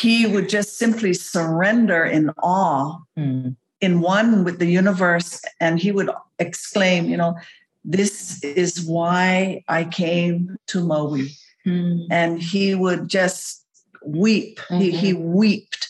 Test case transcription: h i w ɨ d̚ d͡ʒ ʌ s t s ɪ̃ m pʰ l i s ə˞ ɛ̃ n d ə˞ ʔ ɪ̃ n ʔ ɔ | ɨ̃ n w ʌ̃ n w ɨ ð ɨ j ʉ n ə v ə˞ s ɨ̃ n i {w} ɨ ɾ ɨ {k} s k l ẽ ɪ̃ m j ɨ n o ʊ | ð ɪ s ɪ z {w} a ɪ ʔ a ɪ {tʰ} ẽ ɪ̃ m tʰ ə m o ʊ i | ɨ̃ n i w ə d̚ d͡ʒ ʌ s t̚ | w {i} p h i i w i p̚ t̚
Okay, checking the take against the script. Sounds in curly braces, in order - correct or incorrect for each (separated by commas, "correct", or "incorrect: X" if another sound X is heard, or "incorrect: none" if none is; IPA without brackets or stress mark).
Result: correct, correct, correct, incorrect: kʰ, correct